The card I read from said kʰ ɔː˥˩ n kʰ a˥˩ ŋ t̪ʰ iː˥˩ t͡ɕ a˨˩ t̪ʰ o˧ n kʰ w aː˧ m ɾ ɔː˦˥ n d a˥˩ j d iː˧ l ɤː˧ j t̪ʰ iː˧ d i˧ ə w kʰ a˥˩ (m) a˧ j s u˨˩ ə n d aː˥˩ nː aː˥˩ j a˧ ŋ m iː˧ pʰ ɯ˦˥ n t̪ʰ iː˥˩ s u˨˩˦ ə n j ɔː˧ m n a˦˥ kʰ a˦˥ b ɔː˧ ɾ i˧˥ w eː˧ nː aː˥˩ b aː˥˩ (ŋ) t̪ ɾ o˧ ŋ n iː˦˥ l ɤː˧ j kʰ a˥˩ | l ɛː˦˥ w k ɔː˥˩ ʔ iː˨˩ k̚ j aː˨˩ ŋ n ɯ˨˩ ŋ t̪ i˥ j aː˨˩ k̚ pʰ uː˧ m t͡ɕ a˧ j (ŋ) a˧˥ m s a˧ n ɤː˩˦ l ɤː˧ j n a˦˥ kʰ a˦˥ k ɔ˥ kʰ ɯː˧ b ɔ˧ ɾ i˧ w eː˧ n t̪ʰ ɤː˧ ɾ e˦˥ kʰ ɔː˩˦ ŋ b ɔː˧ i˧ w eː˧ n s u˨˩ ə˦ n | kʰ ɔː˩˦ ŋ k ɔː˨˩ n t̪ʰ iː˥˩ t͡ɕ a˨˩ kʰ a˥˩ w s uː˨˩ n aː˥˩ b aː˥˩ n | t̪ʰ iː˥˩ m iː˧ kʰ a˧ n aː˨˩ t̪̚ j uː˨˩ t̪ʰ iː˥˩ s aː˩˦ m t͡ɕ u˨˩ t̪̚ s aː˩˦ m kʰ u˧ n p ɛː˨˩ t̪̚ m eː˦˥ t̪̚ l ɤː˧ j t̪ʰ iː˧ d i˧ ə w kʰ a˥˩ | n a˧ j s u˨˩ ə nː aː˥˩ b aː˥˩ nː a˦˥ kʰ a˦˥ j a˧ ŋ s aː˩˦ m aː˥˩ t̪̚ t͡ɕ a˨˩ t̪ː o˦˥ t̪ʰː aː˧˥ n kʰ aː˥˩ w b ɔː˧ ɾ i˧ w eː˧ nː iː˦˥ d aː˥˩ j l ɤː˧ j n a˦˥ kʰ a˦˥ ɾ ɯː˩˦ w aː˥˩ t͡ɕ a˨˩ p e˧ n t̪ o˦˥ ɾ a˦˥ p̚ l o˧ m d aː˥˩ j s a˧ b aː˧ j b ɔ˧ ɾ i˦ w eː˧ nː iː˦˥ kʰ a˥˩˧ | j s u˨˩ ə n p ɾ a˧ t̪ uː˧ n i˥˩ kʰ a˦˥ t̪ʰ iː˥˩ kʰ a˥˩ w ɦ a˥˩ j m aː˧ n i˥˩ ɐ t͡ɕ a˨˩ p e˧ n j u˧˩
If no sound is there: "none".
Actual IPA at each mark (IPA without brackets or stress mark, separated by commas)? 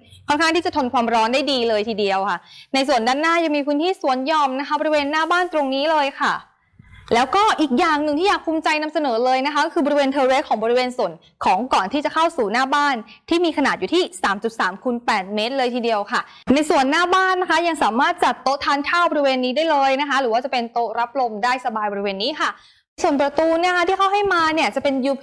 n, n, n